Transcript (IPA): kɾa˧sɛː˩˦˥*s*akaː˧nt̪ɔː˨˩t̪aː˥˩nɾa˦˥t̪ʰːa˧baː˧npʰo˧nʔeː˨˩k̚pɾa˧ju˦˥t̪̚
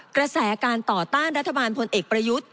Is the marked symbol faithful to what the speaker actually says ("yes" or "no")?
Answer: no